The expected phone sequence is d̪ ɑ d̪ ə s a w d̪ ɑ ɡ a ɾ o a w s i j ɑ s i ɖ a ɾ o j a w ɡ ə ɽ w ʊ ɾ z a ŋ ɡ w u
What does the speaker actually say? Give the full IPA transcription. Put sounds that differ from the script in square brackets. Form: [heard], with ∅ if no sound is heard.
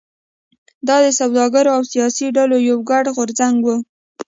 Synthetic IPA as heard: d̪ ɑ d̪ ə s a w d̪ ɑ ɡ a ɾ o a w s i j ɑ s i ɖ a [l] o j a w ɡ [a] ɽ [ɣ] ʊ ɾ z a ŋ ɡ w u